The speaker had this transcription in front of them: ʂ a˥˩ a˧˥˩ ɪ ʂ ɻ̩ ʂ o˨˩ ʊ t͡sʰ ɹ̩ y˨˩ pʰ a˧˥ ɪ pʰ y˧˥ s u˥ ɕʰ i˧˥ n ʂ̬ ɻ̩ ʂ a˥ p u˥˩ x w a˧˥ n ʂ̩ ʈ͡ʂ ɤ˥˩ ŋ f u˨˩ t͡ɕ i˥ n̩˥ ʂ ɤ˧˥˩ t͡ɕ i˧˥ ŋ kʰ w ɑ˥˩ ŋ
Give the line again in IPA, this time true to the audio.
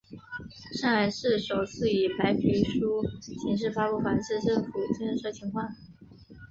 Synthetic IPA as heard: ʂ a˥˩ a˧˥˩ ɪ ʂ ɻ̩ ʂ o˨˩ ʊ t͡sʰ ɹ̩ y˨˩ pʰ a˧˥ ɪ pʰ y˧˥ ʂ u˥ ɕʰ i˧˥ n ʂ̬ ɻ̩ f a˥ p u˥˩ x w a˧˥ n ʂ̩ ʈ͡ʂ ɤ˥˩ ŋ f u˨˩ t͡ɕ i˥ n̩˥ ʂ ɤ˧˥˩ t͡ɕʰ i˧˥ ŋ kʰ w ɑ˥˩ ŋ